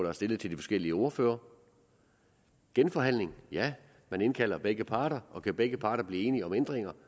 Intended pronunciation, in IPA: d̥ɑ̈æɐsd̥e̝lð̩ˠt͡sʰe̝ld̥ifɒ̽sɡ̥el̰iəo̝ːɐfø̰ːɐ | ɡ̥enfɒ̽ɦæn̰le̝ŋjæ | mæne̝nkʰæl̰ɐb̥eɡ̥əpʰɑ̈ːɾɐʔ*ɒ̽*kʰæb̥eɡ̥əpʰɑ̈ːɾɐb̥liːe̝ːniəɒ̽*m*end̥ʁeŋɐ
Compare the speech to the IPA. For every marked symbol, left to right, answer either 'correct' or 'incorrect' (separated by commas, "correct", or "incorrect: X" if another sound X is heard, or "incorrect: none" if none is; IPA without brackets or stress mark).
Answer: correct, correct